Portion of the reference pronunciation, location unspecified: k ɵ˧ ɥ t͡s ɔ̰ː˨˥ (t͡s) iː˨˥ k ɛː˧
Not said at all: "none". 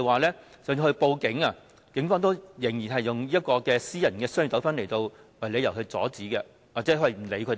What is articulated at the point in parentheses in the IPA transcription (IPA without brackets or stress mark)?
t͡s